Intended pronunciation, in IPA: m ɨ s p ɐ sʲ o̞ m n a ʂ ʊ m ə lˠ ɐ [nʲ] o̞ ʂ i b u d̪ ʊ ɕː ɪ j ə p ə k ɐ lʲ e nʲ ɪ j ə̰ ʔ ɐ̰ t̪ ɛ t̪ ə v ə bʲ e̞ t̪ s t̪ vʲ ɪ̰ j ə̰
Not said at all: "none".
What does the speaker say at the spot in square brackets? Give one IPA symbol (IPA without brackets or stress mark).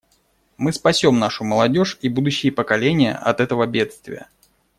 dʲ